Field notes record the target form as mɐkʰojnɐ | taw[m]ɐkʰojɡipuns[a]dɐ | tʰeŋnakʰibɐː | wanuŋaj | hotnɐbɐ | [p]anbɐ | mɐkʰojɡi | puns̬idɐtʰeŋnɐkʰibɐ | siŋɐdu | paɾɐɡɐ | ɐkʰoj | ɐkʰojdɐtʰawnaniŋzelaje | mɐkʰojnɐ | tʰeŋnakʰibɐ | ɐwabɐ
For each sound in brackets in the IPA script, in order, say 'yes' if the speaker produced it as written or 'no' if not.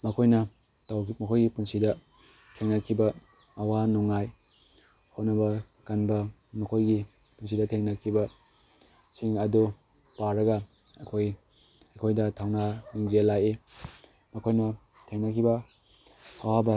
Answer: yes, no, no

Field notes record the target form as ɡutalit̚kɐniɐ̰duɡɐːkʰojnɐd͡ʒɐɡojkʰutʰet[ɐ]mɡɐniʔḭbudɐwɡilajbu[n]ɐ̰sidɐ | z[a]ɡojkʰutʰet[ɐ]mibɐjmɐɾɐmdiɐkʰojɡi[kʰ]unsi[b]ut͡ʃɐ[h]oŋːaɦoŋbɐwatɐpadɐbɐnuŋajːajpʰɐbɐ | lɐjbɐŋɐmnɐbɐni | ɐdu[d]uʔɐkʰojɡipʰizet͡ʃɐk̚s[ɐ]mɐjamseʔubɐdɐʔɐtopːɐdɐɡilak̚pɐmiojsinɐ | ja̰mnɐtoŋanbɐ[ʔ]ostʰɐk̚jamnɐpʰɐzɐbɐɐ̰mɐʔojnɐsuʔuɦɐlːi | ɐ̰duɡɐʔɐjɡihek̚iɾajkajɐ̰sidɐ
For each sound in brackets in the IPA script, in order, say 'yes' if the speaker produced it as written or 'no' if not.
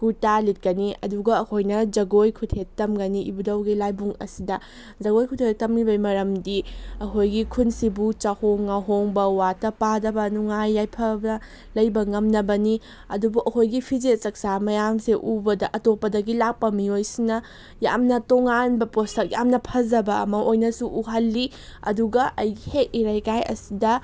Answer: yes, no, no, yes, yes, yes, yes, no, no, no

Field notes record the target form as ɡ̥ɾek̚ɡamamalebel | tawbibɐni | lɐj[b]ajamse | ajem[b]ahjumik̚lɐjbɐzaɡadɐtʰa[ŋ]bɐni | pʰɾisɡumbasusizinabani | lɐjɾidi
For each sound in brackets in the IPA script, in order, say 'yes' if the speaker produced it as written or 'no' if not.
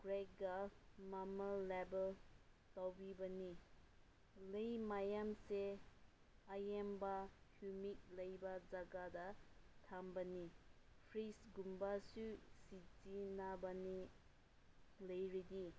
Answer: no, yes, no

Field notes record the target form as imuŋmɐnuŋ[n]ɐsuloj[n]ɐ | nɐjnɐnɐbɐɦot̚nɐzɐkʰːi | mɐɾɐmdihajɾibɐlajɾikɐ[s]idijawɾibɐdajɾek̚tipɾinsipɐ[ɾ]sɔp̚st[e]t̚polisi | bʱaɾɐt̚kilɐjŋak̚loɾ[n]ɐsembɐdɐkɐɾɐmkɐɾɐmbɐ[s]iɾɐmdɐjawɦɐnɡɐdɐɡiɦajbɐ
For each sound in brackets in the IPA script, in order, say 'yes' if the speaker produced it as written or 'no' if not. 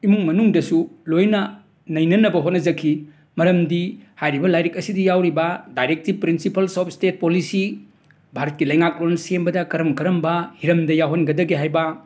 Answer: no, yes, yes, no, yes, yes, no

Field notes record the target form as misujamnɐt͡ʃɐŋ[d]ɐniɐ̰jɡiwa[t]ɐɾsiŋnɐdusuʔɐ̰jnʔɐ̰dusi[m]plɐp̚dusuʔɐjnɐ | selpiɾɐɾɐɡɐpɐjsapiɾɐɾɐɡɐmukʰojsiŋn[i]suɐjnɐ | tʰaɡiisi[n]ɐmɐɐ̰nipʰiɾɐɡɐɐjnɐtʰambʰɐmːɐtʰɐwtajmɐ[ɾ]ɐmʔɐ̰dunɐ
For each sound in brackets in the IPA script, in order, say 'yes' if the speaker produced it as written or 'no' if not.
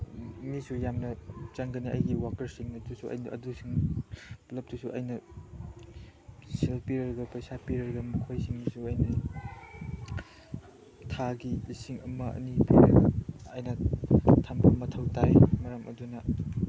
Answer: no, no, no, yes, no, yes

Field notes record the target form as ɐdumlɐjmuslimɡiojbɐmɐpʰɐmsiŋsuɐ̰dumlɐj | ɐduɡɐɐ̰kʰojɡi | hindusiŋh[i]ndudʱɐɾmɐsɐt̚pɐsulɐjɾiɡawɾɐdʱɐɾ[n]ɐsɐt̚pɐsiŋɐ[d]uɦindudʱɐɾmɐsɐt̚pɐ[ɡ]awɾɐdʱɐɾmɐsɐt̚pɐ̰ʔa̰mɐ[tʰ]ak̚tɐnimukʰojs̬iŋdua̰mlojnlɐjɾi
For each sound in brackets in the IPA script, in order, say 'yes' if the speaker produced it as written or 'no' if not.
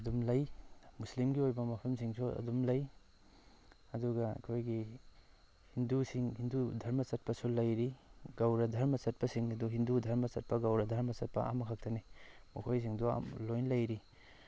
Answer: yes, no, yes, yes, no

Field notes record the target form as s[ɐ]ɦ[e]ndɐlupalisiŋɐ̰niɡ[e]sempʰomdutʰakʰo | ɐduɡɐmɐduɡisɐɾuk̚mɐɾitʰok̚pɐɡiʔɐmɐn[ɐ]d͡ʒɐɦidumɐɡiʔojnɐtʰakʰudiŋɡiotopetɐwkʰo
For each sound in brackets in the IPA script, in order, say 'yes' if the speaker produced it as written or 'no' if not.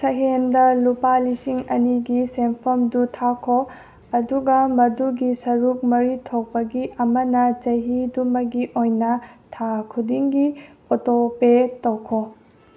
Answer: yes, yes, no, yes

